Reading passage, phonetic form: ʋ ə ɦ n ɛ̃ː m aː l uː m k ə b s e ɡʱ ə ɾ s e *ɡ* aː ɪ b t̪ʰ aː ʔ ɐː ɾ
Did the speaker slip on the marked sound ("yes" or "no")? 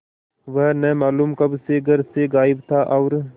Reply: no